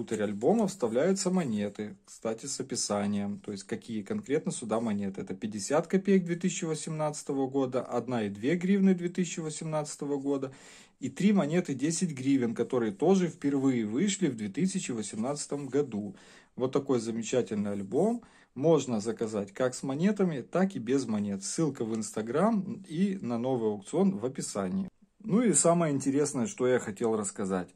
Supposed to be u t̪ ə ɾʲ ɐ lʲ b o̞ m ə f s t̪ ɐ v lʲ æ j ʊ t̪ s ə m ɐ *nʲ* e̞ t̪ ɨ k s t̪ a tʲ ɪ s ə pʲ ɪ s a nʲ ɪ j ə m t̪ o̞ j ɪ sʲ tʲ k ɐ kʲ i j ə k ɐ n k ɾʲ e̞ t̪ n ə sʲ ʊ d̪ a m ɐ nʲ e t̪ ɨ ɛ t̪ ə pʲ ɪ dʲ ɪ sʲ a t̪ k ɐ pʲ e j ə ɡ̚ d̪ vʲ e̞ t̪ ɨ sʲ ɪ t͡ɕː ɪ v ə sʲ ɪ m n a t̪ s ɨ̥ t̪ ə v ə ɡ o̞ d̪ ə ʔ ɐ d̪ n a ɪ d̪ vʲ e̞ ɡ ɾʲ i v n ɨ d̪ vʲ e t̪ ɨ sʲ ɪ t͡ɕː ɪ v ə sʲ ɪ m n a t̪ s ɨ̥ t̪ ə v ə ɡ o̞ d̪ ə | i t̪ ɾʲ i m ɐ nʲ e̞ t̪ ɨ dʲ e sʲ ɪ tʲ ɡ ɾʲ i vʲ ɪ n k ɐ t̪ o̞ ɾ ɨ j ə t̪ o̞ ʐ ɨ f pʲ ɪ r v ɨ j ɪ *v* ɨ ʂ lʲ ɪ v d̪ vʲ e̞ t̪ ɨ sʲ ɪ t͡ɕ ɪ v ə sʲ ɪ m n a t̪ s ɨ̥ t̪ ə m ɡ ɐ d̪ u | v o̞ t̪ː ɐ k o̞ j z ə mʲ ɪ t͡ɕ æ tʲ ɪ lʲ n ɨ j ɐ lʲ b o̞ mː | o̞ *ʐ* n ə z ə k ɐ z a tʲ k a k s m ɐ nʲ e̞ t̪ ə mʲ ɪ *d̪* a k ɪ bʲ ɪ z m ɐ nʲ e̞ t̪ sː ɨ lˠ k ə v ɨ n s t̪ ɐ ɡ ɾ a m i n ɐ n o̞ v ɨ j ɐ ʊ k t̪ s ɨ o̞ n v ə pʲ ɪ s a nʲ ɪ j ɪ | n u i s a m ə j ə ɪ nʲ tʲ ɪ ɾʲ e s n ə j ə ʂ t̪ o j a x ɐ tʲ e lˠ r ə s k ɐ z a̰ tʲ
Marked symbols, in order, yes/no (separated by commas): yes, yes, yes, no